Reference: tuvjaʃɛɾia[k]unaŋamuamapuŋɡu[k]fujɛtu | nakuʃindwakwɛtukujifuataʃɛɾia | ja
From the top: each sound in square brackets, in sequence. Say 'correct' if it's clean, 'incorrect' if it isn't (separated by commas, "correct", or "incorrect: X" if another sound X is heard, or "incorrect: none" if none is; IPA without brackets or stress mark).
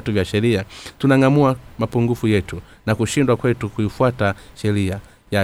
incorrect: t, incorrect: none